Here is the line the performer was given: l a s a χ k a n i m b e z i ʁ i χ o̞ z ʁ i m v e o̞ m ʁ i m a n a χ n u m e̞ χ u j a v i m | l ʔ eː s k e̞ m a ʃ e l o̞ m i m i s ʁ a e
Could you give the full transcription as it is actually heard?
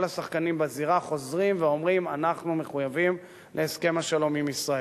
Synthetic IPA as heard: l a s a χ k a n i m b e z i ʁ a χ o̞ z ʁ i m v e o̞ m ʁ i m a n a χ n u m e̞ χ u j a v i m | l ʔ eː s k e̞ m a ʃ a l o̞ m i m i s ʁ a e